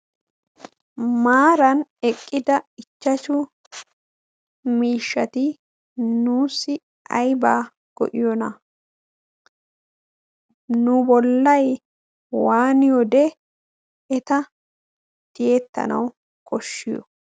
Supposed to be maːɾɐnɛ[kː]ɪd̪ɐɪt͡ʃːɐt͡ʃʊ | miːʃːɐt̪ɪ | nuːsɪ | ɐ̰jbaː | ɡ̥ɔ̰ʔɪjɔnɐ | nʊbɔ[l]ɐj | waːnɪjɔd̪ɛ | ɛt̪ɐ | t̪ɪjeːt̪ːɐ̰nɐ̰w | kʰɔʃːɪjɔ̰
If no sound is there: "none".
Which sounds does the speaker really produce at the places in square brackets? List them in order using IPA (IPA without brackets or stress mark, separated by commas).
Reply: kʼː, lː